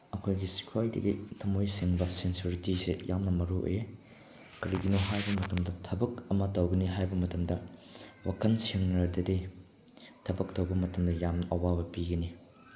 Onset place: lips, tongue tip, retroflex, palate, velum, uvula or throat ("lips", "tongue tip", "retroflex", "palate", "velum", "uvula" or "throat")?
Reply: velum